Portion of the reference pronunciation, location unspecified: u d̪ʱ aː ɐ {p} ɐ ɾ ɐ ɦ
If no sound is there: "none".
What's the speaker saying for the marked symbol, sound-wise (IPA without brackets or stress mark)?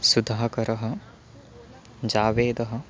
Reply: k